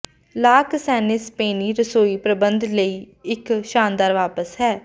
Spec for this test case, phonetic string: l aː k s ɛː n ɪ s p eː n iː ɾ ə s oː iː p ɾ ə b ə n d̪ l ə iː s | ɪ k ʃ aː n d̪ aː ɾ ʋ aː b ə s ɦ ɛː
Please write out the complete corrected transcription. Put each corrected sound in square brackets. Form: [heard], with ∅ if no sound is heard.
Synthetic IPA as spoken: l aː k s ɛː n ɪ s p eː n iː ɾ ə s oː iː p ɾ ə b ə n d̪ l ə iː [∅] | ɪ k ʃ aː n d̪ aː ɾ ʋ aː [p] ə s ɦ ɛː